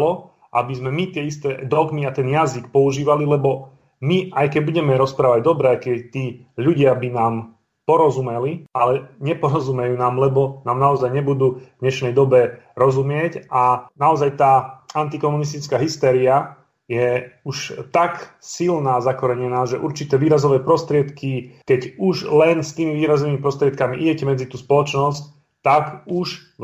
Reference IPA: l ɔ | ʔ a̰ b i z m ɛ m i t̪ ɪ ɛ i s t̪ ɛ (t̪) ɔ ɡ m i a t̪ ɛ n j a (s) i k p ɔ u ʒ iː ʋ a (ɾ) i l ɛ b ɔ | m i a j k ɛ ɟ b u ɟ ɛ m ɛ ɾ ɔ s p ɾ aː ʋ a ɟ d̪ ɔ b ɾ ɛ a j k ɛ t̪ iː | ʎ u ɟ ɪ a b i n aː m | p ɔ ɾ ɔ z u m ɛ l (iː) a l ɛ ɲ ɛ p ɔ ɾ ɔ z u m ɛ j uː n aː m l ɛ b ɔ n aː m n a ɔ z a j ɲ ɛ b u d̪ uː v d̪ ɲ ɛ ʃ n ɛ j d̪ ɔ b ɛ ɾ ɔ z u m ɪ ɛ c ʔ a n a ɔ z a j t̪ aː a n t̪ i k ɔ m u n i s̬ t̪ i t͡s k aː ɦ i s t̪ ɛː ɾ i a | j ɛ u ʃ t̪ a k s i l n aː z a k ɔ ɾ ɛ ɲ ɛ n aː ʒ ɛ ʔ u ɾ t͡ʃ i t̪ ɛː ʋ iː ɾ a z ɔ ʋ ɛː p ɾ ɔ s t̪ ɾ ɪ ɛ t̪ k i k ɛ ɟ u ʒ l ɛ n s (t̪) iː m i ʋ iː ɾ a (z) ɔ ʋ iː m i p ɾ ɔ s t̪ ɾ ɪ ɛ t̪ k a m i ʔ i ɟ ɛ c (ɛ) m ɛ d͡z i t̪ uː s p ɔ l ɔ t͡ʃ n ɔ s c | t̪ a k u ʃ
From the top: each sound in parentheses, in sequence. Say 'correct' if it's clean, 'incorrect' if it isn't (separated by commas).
incorrect, incorrect, incorrect, incorrect, correct, correct, correct